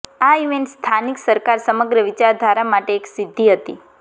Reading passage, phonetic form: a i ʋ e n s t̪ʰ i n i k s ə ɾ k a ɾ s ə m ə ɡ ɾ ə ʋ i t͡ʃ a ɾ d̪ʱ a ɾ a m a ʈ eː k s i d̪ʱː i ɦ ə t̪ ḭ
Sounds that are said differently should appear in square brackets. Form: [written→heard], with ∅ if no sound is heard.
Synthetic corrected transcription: a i ʋ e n s t̪ʰ [i→a] n i k s ə ɾ k a ɾ s ə m ə ɡ ɾ ə ʋ i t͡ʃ a ɾ d̪ʱ a ɾ a m a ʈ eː k s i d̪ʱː i ɦ ə t̪ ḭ